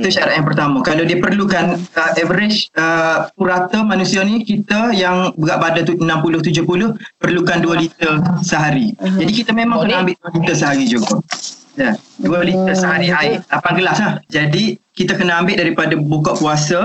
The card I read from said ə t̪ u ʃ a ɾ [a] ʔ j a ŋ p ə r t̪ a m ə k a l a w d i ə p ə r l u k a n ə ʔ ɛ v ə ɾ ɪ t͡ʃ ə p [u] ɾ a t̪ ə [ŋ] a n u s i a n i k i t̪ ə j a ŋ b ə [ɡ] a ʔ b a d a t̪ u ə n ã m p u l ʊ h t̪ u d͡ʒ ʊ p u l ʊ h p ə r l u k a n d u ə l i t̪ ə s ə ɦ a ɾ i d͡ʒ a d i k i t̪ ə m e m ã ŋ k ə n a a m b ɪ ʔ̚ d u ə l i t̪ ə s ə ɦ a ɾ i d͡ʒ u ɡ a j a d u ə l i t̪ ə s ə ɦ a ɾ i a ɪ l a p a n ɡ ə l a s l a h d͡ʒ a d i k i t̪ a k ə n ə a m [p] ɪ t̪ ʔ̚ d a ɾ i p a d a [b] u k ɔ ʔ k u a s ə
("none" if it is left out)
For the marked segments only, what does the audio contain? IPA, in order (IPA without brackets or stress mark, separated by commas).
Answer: a, u, m, ɡ, b, b